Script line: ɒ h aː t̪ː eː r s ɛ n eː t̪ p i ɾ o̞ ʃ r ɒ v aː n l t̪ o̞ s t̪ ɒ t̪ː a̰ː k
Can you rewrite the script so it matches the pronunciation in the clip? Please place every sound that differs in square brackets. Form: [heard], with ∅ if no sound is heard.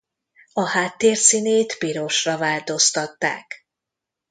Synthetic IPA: ɒ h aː t̪ː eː r s [i] n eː t̪ p i ɾ o̞ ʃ r ɒ v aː [∅] l t̪ o̞ s t̪ ɒ t̪ː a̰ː k